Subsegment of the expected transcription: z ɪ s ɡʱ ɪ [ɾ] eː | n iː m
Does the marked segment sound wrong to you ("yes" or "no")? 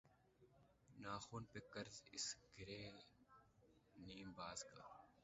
no